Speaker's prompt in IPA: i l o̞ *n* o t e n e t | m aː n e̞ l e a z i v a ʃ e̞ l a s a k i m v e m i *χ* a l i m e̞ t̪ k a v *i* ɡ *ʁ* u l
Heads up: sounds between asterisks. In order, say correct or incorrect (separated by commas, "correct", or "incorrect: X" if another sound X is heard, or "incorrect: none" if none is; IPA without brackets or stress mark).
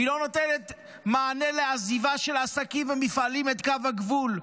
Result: correct, incorrect: f, incorrect: a, incorrect: v